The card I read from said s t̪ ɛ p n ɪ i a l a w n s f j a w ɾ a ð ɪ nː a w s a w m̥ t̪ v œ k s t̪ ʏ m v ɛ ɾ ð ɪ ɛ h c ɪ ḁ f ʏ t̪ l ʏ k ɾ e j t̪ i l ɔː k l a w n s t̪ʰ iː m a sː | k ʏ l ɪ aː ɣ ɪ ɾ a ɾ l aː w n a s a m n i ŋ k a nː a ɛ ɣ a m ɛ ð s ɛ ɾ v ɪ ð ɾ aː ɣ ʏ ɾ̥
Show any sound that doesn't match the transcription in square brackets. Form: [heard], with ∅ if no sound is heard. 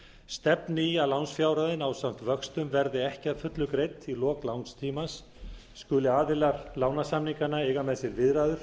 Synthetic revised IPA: s t̪ ɛ p n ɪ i a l a w n s f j a w ɾ a ð ɪ [n] a w s a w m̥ t̪ v œ k s t̪ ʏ m v ɛ ɾ ð ɪ ɛ h c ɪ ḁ f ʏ t̪ l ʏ k ɾ e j t̪ i l ɔː k l a w n s t̪ʰ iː m a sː | k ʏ l ɪ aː [ð] ɪ [l] a ɾ l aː w n a s a m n i ŋ k a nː a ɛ ɣ a m ɛ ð s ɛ ɾ v ɪ ð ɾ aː [ð] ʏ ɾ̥